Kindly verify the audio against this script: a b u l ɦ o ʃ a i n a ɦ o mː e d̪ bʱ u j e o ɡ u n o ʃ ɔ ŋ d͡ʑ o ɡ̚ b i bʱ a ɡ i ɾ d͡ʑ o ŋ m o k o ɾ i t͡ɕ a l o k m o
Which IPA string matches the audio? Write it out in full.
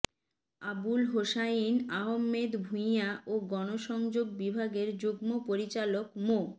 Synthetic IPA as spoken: a b u l ɦ o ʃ a i n a ɦ o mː e d̪ bʱ u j a o ɡ ɔ n o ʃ ɔ ŋ d͡ʑ o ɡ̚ b i bʱ a ɡ e ɾ d͡ʑ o ɡ m o p o ɾ i t͡ɕ a l o k m o